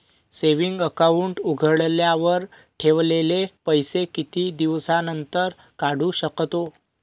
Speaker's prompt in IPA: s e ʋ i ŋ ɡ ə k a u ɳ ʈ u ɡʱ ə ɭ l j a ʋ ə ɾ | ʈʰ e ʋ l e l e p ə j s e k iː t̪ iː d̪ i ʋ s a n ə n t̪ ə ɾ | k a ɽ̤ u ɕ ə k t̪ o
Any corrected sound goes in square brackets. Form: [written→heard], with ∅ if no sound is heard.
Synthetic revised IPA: s e ʋ i ŋ ɡ ə k a u ɳ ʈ u ɡʱ ə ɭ l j a ʋ ə ɾ | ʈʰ e ʋ l e l e p ə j s e k [iː→i] t̪ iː d̪ i ʋ s a n ə n t̪ ə ɾ | k a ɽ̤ u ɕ ə k t̪ o